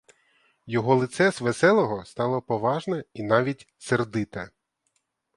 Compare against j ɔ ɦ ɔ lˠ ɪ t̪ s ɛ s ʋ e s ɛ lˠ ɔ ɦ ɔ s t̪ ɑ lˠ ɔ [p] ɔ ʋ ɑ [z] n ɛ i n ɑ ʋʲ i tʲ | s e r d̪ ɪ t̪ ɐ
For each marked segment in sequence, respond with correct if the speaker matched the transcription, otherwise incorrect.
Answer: correct, incorrect: ʒ

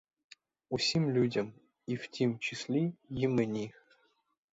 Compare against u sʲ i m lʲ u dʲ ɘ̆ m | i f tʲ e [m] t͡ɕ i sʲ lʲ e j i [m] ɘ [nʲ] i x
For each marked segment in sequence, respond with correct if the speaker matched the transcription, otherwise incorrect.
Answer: correct, correct, correct

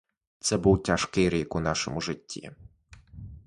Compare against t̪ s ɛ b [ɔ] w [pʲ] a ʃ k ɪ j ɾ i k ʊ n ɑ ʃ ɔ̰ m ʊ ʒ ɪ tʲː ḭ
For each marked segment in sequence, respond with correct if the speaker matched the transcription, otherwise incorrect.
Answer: incorrect: u, incorrect: tʲ

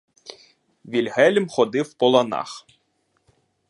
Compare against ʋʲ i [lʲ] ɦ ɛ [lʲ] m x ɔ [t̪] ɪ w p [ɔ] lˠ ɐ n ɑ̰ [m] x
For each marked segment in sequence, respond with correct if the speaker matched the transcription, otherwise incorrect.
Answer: correct, correct, incorrect: d̪, correct, incorrect: none

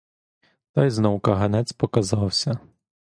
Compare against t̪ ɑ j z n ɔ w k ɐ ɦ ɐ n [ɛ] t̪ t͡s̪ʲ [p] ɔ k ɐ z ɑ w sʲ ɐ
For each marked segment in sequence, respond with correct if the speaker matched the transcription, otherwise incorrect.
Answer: correct, correct

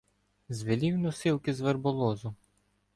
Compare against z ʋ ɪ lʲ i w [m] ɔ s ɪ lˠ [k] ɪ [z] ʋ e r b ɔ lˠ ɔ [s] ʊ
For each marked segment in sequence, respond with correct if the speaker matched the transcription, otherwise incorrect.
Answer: incorrect: n, correct, correct, incorrect: z

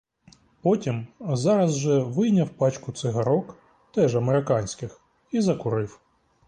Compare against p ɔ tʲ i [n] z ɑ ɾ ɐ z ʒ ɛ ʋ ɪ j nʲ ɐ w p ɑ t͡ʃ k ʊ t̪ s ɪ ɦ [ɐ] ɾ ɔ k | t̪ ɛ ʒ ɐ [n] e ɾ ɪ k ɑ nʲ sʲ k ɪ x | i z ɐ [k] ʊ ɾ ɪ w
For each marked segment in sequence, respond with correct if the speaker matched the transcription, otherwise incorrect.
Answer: incorrect: m, correct, incorrect: m, correct

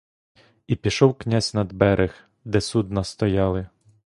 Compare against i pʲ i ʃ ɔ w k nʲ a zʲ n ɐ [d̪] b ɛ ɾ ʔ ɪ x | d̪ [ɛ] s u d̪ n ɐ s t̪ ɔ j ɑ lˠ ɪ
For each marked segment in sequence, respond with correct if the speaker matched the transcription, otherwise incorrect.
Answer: correct, correct

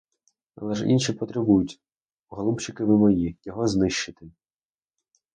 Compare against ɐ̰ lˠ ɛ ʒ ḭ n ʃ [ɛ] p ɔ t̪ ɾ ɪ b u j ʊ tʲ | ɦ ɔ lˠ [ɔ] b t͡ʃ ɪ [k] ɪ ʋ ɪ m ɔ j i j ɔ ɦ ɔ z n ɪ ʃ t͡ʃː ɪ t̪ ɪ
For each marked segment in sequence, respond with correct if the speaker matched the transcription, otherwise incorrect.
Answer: incorrect: i, incorrect: u, correct

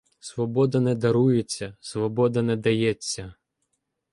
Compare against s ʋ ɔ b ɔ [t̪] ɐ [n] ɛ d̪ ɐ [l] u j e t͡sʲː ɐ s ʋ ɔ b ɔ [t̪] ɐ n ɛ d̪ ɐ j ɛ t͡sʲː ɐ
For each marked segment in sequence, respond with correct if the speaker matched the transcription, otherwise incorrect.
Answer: incorrect: d̪, correct, incorrect: ɾ, incorrect: d̪

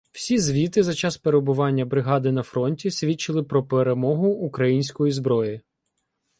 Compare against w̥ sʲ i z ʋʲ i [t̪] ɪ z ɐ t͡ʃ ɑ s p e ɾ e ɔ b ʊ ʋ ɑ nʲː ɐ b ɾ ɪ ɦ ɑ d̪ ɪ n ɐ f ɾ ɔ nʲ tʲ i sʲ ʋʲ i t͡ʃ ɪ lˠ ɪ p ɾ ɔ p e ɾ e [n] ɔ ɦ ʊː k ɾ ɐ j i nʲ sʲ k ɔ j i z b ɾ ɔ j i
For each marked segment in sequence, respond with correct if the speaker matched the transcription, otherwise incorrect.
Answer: correct, incorrect: m

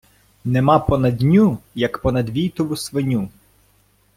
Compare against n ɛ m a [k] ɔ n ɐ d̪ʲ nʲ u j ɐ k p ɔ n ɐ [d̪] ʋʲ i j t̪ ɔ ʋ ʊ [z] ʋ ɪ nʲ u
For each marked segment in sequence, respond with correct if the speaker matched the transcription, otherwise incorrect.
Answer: incorrect: p, correct, incorrect: s

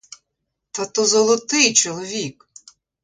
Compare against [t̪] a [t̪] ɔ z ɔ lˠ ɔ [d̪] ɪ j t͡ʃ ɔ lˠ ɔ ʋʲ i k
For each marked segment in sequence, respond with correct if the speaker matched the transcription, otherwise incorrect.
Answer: correct, correct, incorrect: t̪

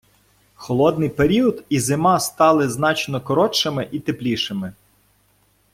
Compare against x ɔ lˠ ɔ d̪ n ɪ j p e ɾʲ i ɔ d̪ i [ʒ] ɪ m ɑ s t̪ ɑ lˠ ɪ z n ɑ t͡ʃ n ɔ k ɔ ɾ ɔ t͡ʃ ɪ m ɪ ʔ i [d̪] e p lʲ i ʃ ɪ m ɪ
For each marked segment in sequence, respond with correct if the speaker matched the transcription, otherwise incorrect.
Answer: incorrect: z, incorrect: t̪

